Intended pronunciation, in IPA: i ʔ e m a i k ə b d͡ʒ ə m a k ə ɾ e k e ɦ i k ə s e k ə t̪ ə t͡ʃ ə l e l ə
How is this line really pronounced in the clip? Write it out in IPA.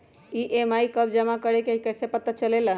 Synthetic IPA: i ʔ e m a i k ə b d͡ʒ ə m a k ə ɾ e k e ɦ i k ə s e p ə t̪ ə t͡ʃ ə l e l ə